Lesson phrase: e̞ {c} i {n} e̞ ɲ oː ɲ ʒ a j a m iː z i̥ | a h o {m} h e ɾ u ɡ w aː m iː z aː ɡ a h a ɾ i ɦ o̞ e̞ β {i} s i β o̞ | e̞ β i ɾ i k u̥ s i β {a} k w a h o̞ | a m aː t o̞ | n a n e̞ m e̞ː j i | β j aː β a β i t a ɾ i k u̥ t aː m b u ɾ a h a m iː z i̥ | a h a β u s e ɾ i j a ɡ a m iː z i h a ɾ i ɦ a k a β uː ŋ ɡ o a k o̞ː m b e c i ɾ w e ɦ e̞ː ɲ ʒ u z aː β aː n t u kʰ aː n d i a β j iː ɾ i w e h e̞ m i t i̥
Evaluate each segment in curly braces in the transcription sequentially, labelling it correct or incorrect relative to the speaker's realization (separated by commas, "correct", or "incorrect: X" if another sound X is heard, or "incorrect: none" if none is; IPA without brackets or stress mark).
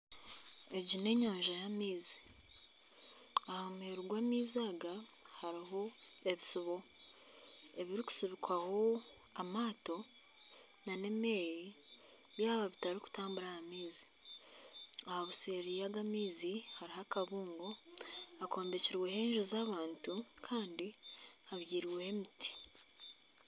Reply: incorrect: ɟ, correct, correct, correct, incorrect: i